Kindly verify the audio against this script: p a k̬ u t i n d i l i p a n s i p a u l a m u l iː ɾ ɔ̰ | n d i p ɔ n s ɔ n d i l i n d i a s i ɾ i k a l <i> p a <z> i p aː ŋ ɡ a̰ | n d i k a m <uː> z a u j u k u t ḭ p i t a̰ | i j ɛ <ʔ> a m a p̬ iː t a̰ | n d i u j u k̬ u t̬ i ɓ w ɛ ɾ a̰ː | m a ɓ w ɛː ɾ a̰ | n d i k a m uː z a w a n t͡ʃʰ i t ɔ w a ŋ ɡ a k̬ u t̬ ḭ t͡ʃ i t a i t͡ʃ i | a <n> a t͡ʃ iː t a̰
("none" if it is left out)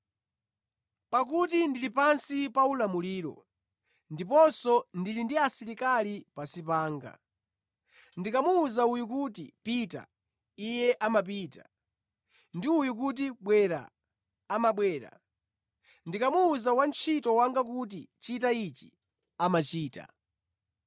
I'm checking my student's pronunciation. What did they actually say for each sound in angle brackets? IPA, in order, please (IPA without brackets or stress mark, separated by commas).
i, s, uː, ʔ, m